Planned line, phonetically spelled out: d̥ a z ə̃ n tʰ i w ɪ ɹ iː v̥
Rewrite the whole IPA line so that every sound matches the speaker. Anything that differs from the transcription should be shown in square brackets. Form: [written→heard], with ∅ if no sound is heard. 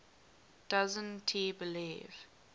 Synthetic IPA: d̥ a z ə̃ n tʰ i [w→b] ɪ [ɹ→l] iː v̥